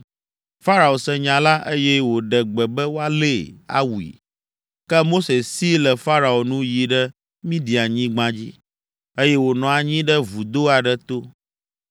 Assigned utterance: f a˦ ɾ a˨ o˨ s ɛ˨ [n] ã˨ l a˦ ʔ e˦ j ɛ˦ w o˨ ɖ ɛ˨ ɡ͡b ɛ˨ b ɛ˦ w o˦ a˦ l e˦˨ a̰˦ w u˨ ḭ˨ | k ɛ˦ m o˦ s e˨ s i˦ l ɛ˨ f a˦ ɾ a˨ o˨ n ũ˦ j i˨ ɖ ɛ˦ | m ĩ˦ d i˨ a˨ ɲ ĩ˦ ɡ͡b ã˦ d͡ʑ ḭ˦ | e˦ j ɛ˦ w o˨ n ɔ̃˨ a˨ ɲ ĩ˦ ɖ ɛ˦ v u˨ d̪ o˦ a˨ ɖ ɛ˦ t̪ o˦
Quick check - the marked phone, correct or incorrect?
incorrect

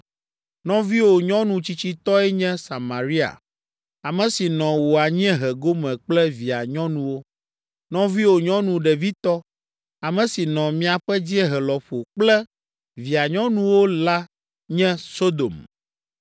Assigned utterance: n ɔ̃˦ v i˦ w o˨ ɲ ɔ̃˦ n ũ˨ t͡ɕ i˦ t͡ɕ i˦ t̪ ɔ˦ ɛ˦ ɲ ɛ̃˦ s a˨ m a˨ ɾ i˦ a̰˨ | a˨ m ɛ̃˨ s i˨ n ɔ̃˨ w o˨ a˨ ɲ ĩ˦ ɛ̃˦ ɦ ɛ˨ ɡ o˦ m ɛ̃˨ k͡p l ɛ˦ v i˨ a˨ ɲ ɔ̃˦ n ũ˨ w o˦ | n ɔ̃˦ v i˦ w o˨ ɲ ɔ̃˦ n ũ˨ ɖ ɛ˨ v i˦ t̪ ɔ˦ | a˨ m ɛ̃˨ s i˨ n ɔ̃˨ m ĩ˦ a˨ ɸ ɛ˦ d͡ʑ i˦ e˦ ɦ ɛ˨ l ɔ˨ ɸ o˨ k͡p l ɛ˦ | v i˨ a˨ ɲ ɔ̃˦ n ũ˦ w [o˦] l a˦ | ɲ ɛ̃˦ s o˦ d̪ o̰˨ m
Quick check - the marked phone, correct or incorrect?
correct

